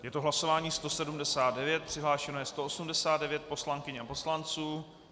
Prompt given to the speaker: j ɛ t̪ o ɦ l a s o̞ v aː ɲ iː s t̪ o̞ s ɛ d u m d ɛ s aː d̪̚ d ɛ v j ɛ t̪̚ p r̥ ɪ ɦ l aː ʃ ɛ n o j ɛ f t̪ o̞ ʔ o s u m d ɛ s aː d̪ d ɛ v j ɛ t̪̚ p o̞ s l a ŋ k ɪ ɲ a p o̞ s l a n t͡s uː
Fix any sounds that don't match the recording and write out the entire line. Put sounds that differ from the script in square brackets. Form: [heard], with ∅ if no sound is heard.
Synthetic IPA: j ɛ t̪ o ɦ l a s o̞ v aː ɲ iː s t̪ o̞ s ɛ d u m d ɛ s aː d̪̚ d ɛ v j ɛ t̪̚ p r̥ ɪ ɦ l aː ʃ ɛ n o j ɛ [s] t̪ o̞ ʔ o s u m d ɛ s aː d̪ d ɛ v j ɛ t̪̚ p o̞ s l a ŋ k ɪ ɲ a p o̞ s l a n t͡s uː